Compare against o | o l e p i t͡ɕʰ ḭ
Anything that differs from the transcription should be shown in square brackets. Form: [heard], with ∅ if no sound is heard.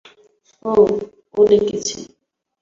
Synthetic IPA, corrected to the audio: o | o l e [k] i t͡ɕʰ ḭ